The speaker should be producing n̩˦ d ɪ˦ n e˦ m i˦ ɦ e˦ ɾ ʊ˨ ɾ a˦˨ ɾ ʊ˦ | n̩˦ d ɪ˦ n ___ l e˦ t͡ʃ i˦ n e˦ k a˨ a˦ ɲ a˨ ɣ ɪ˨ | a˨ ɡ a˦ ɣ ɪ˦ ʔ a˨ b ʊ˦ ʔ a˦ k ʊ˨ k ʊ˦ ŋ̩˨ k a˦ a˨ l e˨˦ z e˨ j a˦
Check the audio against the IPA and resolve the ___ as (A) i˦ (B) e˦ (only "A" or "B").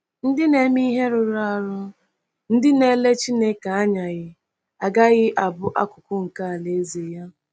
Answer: B